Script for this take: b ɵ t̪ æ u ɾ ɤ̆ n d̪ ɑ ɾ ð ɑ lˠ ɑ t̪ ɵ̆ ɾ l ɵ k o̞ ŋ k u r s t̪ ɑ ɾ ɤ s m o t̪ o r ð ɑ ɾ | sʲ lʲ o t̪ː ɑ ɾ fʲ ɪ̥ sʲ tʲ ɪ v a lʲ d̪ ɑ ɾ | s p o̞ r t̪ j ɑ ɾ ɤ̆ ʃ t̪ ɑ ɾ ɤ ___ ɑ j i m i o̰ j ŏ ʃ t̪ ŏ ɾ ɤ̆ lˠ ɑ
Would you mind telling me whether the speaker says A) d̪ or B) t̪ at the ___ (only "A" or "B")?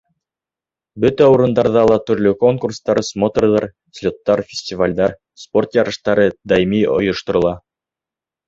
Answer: A